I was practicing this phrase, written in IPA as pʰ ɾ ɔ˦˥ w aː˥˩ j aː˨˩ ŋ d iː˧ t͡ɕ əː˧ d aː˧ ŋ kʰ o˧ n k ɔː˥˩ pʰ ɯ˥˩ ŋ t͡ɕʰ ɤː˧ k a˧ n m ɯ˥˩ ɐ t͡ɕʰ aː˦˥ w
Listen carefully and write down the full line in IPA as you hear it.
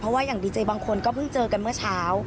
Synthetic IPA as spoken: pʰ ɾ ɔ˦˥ w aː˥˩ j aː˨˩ ŋ d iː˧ t͡ɕ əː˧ b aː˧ ŋ kʰ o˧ n k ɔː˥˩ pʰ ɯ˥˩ ŋ t͡ɕ ɤː˧ k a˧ n m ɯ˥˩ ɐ t͡ɕʰ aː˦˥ w